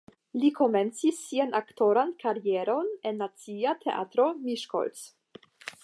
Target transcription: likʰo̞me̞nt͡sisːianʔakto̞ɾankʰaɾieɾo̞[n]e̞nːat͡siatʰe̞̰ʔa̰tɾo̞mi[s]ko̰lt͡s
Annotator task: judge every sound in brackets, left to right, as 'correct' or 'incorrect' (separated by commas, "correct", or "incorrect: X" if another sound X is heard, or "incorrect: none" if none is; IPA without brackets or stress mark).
correct, incorrect: ʃ